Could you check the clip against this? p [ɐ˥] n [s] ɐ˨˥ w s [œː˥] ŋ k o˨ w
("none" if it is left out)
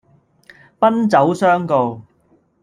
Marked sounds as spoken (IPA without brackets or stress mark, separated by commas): ɐ˥, t͡s, œː˥